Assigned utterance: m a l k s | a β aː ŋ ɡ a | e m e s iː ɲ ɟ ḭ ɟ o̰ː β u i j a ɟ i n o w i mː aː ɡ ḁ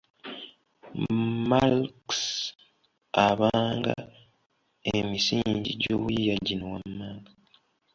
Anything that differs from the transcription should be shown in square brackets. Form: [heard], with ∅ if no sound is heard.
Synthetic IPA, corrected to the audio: m a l k s | a β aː ŋ ɡ a | e m [i] s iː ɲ ɟ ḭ ɟ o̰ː β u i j a ɟ i n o w [a] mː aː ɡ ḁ